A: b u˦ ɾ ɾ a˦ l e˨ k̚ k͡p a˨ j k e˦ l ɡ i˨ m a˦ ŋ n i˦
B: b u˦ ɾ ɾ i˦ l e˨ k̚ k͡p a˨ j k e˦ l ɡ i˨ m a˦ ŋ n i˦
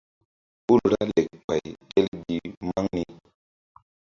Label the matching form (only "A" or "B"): A